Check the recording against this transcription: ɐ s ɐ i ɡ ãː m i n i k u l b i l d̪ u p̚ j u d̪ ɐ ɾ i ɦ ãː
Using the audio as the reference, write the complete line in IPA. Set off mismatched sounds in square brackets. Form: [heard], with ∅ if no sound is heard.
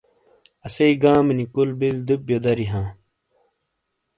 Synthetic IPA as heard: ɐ s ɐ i ɡ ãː m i n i k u l b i l d̪ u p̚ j [o] d̪ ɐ ɾ i ɦ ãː